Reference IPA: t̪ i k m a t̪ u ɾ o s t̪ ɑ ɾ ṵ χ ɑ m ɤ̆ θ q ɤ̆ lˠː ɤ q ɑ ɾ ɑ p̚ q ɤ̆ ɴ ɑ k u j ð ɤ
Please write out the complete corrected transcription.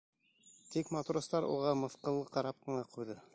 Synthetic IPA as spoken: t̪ i k m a t̪ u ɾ o s t̪ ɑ ɾ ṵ ʁ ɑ m ɤ̆ θ q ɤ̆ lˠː ɤ q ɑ ɾ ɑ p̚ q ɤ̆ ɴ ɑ q u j ð ɤ